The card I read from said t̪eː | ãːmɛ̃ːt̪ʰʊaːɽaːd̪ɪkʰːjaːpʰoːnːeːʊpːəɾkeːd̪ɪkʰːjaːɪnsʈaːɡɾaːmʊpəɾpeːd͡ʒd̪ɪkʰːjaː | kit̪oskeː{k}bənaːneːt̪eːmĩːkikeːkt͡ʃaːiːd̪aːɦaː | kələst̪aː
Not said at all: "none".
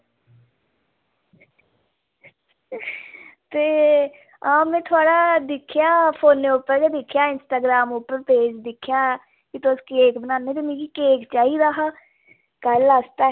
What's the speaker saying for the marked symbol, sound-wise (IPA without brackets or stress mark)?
k